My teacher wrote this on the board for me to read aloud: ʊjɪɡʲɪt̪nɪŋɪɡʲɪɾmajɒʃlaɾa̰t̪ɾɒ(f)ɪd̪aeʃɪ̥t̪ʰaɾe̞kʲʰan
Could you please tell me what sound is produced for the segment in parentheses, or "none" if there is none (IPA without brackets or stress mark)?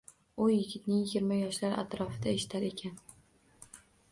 f